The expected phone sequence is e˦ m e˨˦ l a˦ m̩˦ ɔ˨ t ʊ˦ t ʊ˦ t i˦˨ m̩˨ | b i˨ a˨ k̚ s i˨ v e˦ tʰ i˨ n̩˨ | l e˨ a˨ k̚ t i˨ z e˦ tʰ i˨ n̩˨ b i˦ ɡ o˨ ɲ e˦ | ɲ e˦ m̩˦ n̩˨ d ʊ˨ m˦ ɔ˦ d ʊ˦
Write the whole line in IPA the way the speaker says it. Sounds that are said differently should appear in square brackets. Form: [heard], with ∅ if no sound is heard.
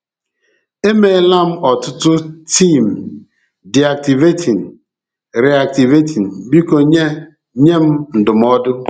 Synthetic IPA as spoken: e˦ m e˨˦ l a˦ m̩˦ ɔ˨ t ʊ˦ t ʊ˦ t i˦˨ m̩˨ | [d] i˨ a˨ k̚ [t] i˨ v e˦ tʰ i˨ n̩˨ | [ɾ] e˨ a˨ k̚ t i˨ [v] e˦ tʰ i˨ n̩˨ b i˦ [k] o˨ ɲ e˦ | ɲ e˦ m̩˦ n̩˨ d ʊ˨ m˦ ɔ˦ d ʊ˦